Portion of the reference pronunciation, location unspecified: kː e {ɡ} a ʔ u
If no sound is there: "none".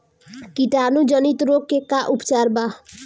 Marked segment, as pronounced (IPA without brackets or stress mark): k